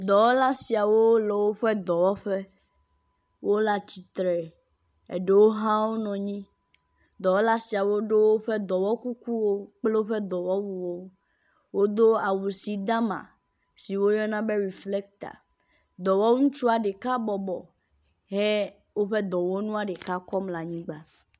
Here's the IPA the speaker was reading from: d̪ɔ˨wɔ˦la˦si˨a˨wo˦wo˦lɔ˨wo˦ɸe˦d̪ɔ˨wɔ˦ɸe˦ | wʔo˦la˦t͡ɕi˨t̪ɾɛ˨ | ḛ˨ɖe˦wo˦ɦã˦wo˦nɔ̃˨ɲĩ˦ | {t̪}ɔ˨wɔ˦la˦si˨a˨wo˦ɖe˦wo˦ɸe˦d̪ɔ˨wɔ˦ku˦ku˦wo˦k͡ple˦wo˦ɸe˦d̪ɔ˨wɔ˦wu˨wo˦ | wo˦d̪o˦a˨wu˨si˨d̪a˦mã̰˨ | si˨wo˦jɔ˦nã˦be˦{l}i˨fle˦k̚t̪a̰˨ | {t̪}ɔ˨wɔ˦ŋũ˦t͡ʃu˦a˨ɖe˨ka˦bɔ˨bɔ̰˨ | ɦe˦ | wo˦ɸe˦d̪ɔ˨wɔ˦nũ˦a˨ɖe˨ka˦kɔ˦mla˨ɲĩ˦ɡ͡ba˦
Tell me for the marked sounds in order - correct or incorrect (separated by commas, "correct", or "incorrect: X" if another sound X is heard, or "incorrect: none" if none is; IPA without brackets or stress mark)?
incorrect: d̪, incorrect: ɾ, incorrect: d̪